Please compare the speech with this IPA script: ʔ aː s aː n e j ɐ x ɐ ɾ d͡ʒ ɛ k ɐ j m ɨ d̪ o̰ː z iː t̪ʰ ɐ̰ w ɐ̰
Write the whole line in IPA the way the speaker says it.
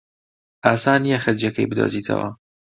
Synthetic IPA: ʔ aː s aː n i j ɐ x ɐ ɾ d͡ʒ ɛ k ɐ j b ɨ d̪ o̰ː z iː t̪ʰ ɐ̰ w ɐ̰

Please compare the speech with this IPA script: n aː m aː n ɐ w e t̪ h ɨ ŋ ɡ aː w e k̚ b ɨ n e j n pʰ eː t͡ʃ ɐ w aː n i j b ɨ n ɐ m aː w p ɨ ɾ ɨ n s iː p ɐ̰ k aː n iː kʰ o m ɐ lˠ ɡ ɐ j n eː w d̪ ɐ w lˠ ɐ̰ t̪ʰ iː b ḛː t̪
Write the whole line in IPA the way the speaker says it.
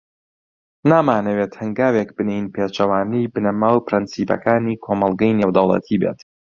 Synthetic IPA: n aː m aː n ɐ w e t̪ h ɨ ŋ ɡ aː w e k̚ b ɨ n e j n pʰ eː t͡ʃ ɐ w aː n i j b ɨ n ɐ m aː w p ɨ ɾ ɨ n s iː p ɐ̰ k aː n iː kʰ o m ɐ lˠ ɡ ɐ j n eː w d̪ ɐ w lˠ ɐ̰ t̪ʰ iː b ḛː t̪

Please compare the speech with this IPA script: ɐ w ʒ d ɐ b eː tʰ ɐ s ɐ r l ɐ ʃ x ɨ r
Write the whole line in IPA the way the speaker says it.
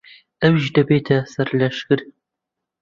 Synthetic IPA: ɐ w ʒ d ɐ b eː tʰ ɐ s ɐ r l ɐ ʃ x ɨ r

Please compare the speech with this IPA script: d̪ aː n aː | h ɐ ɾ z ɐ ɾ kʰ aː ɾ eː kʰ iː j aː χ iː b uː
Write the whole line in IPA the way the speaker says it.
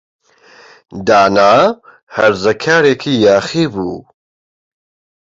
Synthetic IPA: d̪ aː n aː | h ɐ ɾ z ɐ kʰ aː ɾ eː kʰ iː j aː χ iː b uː

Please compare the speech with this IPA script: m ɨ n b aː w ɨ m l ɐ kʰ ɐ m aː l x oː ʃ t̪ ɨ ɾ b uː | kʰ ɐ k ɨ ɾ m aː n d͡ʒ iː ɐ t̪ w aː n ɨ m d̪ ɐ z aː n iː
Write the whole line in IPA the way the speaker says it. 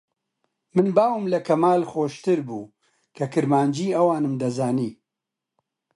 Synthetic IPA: m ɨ n b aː w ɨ m l ɐ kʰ ɐ m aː l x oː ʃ t̪ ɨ ɾ b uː | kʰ ɐ k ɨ ɾ m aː n d͡ʒ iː ɐ w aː n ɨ m d̪ ɐ z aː n iː

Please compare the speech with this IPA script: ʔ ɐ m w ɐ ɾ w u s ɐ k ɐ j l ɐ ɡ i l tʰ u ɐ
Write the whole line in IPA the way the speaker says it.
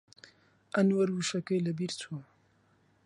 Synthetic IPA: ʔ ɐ n w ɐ ɾ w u ʃ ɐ k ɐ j l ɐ b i ɾ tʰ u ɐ

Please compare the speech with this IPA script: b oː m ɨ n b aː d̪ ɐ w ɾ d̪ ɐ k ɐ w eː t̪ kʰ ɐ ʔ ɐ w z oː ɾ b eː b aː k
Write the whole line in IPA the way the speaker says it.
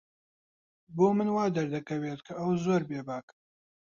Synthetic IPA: b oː m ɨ n w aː d̪ ɐ ɾ d̪ ɐ k ɐ w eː t̪ kʰ ɐ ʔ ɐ w z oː ɾ b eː b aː k

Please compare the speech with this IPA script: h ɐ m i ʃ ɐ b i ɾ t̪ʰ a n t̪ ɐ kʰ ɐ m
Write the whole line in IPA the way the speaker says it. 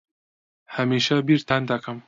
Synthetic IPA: h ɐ m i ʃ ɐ b i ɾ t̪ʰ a n d̪ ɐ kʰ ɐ m

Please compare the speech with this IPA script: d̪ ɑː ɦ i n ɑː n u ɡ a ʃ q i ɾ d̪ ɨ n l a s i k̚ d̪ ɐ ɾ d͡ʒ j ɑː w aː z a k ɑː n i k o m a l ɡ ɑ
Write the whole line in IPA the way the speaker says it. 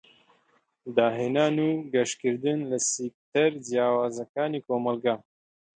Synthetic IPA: d̪ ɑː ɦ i n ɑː n u ɡ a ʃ k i ɾ d̪ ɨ n l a s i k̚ t̪ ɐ ɾ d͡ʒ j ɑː w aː z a k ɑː n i k o m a l ɡ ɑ

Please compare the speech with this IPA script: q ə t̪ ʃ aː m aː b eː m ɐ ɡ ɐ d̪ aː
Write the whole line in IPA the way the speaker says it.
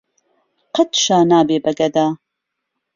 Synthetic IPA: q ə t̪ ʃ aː n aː b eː b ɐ ɡ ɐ d̪ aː

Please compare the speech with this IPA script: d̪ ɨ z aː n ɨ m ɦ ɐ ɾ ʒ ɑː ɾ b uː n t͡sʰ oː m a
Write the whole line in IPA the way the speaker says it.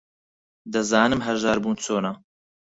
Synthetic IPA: d̪ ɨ z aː n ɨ m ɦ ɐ ɾ ʒ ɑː ɾ b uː n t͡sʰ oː n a

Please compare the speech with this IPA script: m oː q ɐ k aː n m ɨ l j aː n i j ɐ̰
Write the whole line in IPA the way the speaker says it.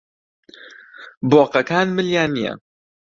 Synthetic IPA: b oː q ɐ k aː n m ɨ l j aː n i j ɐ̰

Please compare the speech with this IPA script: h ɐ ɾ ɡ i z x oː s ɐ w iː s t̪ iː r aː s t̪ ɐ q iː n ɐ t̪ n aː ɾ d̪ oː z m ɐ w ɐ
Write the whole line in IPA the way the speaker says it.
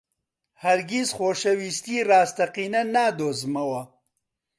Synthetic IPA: h ɐ ɾ ɡ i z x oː ʃ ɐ w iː s t̪ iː r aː s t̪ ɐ q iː n ɐ n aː d̪ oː z m ɐ w ɐ

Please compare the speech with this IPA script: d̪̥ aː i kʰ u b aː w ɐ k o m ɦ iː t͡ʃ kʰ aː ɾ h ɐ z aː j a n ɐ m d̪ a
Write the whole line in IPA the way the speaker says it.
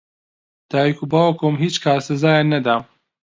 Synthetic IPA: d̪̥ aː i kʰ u b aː w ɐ k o m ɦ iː t͡ʃ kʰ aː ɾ s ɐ z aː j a n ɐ d̪ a

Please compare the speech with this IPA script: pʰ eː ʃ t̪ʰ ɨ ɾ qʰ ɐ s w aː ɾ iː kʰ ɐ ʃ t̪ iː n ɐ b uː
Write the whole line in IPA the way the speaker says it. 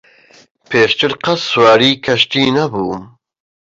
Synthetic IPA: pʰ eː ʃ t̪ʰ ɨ ɾ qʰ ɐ s w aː ɾ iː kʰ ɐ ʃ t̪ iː n ɐ b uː

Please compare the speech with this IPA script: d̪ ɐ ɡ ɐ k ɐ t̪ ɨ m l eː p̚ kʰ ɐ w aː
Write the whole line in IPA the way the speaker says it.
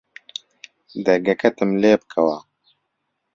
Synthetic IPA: d̪ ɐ ɡ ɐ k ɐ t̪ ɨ m l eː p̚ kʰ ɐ w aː

